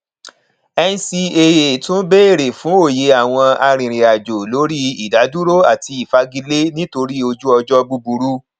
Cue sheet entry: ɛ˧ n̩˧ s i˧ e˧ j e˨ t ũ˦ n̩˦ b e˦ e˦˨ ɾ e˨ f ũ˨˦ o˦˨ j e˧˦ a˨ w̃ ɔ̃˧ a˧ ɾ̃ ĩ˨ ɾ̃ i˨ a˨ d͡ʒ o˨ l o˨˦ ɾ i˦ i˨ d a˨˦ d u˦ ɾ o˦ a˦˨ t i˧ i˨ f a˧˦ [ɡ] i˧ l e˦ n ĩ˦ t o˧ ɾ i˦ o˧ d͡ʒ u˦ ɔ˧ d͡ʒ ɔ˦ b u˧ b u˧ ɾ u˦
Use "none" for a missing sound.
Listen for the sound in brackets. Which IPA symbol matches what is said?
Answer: ɡ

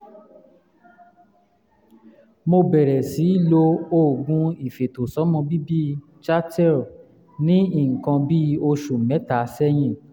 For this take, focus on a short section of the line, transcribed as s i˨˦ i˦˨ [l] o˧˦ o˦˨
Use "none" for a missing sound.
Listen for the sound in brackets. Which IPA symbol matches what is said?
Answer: l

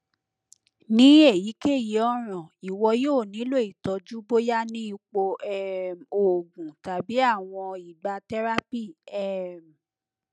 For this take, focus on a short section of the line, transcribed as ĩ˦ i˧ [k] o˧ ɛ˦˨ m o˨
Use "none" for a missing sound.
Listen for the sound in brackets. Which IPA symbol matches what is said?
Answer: k͡p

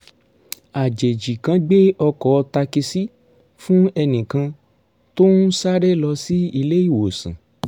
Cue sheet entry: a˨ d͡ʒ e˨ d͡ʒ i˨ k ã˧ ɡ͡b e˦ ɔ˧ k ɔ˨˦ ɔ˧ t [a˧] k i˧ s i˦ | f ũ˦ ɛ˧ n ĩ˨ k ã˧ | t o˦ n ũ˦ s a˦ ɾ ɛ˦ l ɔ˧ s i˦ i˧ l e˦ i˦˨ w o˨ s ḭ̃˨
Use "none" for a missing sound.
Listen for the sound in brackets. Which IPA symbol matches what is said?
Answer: a˧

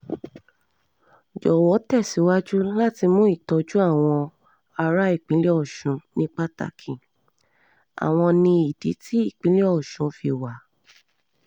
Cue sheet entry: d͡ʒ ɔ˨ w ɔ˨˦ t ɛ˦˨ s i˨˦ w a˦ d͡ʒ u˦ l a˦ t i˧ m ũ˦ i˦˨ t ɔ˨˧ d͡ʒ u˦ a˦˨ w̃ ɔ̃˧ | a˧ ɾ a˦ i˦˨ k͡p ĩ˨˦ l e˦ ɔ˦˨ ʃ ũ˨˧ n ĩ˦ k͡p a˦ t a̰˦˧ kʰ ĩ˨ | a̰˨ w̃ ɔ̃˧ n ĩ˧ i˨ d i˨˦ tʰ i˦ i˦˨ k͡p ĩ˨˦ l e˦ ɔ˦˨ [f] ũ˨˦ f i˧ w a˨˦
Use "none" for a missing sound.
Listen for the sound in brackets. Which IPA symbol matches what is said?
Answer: ʃ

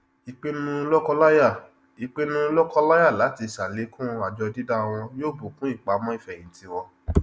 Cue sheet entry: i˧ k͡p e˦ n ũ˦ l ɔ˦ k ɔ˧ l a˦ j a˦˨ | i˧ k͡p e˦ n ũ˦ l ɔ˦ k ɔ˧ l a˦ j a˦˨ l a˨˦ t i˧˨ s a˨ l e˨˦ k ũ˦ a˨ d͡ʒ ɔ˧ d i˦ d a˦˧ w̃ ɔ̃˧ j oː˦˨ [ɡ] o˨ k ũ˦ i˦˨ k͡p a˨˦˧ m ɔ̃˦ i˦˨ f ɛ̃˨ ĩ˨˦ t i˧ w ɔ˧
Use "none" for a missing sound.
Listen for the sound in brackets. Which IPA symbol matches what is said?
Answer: b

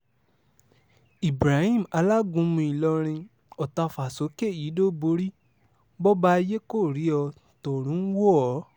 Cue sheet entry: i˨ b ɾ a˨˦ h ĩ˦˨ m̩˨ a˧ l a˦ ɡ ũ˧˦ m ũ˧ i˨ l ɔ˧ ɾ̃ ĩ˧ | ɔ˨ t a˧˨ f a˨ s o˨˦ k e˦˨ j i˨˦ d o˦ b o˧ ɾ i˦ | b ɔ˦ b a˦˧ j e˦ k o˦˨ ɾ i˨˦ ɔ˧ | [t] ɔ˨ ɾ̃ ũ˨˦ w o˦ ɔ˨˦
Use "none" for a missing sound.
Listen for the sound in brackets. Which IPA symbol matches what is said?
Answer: t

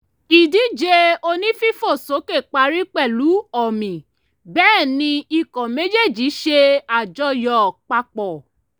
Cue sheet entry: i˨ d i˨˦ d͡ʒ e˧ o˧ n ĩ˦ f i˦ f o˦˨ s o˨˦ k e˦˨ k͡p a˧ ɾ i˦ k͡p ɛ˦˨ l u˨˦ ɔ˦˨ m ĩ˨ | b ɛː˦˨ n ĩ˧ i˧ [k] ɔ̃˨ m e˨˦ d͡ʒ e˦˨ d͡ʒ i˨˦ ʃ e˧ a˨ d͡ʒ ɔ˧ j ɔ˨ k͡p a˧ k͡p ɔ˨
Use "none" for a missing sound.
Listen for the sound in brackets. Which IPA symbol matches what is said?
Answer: k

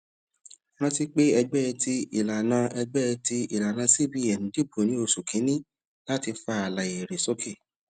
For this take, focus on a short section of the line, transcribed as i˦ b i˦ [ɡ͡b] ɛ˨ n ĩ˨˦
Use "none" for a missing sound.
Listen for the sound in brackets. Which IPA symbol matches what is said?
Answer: none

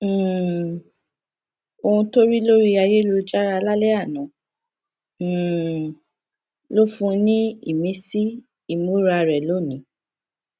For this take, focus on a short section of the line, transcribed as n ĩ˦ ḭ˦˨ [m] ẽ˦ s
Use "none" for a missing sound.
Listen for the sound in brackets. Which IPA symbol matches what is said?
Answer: m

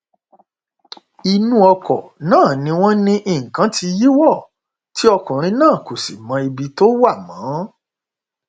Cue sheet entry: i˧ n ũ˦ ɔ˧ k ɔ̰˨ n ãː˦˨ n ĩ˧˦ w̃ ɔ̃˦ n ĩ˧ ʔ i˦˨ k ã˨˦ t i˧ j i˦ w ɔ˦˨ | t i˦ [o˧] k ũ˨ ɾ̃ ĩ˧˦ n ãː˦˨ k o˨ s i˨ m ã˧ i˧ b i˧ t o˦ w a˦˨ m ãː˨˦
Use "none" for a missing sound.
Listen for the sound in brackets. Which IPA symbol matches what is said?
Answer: ɔ˧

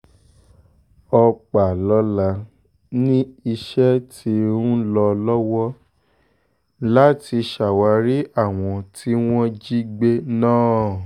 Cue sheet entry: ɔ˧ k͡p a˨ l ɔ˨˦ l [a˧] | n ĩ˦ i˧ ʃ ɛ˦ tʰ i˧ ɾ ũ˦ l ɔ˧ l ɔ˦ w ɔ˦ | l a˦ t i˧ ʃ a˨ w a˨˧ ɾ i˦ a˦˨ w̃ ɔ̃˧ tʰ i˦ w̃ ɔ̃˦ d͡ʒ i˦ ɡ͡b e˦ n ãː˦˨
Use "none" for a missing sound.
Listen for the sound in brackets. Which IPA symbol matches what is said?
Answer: a˧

